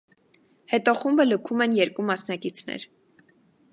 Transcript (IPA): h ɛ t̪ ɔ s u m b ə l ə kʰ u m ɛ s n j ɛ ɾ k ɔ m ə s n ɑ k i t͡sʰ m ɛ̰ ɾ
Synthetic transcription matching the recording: h ɛ t̪ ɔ χ u m b ə l ə kʰ u m ɛ n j ɛ ɾ k u m ɑ s n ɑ k i t͡sʰ n ɛ̰ ɾ